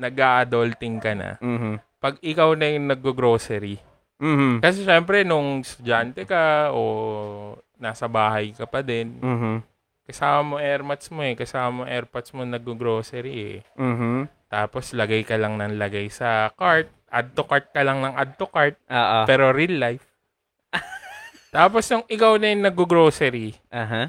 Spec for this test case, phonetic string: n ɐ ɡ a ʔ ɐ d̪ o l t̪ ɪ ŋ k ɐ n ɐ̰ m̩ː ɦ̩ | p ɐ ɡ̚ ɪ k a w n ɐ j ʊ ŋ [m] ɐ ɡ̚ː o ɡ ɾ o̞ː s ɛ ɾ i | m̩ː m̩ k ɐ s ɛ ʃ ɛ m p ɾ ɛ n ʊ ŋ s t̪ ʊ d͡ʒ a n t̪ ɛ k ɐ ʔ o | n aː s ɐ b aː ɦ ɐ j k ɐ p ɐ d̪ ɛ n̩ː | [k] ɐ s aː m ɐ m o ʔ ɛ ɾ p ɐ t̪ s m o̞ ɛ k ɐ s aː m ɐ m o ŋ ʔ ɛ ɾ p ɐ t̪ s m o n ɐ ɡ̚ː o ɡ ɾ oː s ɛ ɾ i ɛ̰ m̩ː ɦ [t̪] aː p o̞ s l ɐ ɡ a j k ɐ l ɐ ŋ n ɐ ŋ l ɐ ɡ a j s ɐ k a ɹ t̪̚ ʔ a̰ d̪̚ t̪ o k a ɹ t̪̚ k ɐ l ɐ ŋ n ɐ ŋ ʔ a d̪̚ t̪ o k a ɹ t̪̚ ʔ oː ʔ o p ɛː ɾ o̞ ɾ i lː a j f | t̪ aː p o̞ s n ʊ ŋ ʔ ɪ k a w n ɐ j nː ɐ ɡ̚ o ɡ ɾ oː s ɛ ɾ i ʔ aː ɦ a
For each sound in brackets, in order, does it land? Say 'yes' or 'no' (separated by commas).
no, yes, yes